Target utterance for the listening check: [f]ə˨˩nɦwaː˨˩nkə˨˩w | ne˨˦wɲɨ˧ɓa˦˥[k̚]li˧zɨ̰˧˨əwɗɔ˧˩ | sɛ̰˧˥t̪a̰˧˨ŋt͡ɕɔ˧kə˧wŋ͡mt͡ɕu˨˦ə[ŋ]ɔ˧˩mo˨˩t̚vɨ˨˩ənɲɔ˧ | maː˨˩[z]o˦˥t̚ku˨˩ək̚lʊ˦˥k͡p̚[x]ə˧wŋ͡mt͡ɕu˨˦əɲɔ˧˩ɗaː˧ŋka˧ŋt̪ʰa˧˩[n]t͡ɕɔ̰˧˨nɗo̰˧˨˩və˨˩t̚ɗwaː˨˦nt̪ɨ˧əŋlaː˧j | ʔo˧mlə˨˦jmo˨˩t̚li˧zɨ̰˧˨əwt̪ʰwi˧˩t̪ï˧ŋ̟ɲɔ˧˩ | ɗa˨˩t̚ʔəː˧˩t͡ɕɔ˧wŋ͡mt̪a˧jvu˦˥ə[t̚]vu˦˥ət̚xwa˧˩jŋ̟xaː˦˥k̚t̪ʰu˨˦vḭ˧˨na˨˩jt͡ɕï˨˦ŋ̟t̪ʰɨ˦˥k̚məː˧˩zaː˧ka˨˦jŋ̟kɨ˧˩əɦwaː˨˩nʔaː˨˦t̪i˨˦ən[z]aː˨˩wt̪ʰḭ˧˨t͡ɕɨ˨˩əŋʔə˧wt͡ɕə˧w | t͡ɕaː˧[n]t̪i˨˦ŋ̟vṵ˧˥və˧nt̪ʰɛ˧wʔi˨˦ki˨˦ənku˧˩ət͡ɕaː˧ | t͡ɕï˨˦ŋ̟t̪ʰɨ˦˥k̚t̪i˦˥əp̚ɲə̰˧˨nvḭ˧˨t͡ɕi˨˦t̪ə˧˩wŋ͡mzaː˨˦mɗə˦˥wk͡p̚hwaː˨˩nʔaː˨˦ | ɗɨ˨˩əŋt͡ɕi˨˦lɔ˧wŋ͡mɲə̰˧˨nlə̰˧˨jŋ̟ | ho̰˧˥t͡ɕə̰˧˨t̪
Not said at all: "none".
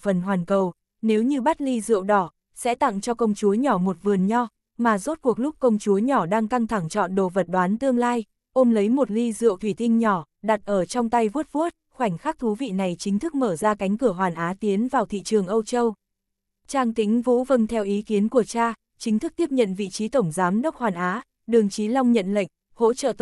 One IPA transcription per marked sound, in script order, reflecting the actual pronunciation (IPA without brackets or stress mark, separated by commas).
f, t̚, ɲ, z, k, ŋ, t̚, v, ŋ